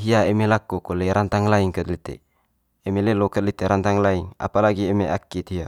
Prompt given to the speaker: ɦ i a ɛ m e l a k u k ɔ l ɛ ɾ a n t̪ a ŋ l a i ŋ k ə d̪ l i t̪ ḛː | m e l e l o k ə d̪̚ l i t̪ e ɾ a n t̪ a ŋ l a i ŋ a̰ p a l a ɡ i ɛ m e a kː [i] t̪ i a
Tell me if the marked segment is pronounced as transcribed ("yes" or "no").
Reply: yes